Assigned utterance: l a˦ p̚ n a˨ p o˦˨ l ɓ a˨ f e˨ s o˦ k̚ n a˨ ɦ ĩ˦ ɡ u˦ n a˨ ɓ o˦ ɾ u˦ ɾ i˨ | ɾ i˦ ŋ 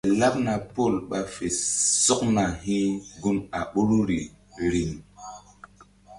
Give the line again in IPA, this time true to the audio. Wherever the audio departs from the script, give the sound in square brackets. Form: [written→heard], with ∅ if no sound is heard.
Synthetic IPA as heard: l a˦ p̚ n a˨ p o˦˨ l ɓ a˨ f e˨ s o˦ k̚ n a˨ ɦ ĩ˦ ɡ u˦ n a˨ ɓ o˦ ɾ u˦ ɾ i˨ | ɾ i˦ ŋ

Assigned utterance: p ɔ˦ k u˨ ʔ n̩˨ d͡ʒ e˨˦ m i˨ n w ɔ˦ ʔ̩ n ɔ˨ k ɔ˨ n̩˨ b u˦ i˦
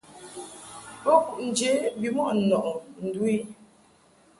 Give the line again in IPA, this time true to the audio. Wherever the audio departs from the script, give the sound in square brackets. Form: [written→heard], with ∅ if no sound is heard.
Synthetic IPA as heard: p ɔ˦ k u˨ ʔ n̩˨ d͡ʒ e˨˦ [m→b] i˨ [n→m] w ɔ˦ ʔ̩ n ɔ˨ [k→ʔ] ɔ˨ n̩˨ [b→d] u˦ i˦

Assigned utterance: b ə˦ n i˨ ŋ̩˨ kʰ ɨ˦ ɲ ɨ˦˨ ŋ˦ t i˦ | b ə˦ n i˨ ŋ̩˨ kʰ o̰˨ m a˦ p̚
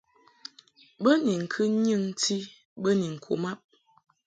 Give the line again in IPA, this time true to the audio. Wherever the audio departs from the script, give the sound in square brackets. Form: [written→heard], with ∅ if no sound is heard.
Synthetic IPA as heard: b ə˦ n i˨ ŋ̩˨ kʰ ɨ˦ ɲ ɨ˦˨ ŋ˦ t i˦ | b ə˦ n i˨ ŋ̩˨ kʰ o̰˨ m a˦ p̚

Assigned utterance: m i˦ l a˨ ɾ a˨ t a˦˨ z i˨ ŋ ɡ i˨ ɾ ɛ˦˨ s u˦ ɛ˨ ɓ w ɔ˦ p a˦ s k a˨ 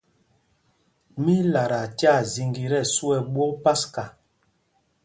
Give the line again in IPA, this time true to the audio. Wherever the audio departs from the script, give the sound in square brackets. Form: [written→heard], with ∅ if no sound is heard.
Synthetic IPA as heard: m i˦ l a˨ ɾ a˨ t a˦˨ z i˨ ŋ ɡ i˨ ɾ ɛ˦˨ s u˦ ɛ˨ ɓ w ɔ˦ p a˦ s k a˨

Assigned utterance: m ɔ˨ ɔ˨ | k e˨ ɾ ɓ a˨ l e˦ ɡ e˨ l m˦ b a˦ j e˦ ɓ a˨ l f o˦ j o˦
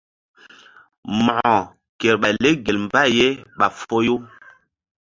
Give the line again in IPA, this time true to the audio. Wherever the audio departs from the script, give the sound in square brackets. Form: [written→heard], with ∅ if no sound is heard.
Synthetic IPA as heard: m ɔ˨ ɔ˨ | k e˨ ɾ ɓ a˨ l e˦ ɡ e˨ l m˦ b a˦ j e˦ ɓ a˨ [l→∅] f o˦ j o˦

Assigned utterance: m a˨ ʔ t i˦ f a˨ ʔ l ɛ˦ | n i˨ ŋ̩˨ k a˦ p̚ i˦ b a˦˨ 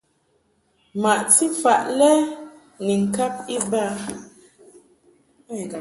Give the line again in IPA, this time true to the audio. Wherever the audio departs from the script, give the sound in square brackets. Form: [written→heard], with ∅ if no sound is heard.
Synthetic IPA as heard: m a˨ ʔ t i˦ f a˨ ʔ l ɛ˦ | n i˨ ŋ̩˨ k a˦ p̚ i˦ b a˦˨

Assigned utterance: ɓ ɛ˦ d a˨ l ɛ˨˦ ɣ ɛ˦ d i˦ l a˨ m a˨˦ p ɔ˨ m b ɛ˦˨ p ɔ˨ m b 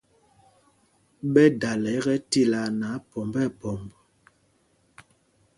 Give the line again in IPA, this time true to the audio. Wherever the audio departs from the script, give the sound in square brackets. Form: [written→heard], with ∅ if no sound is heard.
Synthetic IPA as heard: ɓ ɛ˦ d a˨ l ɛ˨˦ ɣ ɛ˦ [d→t] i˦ l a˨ [m→n] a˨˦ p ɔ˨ m b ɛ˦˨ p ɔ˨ m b

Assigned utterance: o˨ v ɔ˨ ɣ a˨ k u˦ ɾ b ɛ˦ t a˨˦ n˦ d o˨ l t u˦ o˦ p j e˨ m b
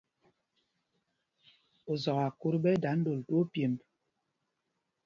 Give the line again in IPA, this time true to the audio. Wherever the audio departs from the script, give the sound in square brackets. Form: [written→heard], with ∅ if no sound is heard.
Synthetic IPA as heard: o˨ [v→z] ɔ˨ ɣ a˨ k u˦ ɾ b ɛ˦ [t→d] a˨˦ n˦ d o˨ l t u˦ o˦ p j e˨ m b

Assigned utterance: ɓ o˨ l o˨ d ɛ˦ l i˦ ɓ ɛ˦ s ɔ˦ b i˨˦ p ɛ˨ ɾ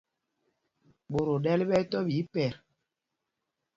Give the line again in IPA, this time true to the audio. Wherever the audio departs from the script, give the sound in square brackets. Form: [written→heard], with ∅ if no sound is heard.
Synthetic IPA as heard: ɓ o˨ [l→ɾ] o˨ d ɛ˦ l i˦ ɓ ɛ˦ [s→t] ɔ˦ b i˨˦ p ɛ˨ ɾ

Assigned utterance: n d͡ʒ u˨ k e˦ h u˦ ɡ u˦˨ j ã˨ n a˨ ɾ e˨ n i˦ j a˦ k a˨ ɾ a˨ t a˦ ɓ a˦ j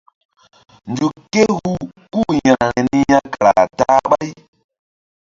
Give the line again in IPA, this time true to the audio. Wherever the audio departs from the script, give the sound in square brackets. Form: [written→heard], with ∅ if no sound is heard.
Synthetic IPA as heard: n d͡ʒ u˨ k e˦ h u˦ [ɡ→k] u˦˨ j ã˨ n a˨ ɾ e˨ n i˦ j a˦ k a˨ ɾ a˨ t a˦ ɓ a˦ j

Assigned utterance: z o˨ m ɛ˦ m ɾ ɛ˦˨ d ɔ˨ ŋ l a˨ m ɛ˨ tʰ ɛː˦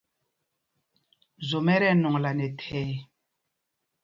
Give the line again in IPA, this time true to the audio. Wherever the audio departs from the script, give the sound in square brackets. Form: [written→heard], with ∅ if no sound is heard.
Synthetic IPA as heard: z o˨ m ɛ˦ [m→∅] ɾ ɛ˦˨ [d→n] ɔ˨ ŋ l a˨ [m→n] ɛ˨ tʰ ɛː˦

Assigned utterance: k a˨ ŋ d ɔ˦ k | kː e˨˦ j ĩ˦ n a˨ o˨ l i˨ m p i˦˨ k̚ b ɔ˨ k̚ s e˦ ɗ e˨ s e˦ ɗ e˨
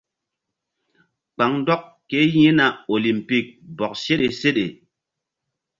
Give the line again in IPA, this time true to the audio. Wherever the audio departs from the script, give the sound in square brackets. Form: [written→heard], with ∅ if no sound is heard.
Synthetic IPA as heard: [k→k͡p] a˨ ŋ d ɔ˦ k | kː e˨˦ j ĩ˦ n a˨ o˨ l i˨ m p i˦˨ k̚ b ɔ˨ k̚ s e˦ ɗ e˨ s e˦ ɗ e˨

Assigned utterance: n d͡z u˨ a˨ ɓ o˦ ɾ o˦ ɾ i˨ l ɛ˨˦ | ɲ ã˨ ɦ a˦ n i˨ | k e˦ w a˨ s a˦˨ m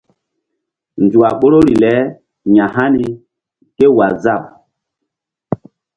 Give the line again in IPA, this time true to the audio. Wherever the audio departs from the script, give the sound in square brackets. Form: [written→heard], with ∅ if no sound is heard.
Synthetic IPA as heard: n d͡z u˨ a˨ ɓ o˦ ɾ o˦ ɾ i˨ l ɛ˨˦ | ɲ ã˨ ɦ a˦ n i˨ | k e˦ w a˨ [s→z] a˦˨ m

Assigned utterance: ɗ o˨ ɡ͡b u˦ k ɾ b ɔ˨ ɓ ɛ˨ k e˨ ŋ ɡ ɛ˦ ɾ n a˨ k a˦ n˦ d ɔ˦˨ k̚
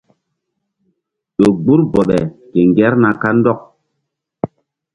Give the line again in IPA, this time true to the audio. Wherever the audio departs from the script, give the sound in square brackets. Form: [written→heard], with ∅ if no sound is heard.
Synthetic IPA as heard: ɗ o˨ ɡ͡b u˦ [k→∅] ɾ b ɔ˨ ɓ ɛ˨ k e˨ ŋ ɡ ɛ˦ ɾ n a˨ k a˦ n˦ d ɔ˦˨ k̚

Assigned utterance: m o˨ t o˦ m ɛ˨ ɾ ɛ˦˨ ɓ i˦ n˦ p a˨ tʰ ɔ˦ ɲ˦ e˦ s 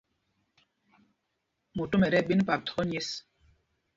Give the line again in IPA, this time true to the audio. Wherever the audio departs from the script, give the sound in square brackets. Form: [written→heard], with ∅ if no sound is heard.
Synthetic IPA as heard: m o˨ t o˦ m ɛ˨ ɾ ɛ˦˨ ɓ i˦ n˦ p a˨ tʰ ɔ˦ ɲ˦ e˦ s

